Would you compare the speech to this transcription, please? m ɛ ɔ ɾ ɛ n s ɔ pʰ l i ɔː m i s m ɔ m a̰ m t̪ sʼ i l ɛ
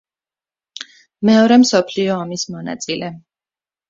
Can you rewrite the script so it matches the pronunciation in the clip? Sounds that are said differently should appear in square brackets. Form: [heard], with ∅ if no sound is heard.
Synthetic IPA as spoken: m ɛ ɔ ɾ ɛ [m] s ɔ pʰ l i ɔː m i s m ɔ [n] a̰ [∅] t̪ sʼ i l ɛ